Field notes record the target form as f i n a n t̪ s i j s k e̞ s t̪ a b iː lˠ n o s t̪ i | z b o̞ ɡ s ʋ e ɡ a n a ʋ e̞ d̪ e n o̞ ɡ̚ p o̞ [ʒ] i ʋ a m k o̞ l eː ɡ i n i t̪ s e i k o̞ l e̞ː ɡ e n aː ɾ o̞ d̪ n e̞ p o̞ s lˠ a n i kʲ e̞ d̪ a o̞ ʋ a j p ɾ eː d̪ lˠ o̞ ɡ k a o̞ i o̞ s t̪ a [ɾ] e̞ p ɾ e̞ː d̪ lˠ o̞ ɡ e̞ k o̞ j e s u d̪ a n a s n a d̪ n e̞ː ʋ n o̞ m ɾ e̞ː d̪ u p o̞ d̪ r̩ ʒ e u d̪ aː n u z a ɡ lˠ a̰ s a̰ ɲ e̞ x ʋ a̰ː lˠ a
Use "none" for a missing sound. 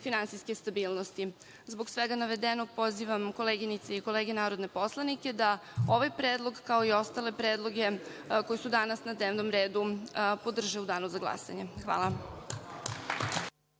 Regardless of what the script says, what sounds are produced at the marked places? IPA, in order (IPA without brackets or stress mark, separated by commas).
z, l